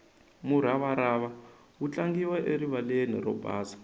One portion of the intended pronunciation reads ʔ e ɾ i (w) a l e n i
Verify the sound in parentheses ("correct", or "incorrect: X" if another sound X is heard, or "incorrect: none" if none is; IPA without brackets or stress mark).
incorrect: β